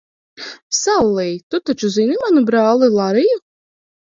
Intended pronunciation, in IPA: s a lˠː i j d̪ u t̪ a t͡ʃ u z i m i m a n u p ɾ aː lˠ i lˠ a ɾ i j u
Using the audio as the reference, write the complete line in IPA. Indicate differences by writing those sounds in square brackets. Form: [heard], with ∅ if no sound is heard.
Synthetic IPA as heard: s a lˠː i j [t̪] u t̪ a t͡ʃ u z i [n] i m a n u [b] ɾ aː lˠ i lˠ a ɾ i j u